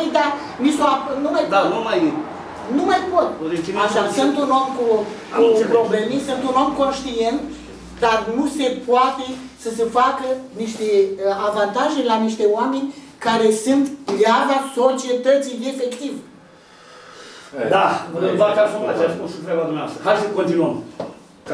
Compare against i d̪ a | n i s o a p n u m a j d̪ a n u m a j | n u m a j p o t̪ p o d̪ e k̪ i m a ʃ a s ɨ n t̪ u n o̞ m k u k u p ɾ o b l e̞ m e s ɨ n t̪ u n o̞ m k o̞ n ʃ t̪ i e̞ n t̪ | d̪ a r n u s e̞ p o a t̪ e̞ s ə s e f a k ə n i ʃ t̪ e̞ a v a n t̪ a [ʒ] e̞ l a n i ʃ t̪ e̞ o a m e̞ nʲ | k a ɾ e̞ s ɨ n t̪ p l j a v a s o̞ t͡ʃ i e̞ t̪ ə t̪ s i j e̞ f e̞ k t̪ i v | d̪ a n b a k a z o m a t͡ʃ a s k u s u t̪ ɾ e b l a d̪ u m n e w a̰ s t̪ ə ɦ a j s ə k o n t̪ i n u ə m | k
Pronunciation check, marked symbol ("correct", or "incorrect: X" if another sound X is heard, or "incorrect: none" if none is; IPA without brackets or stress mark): correct